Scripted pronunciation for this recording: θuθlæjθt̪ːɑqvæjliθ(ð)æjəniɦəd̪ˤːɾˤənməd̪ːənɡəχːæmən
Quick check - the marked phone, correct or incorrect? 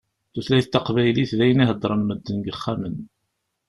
correct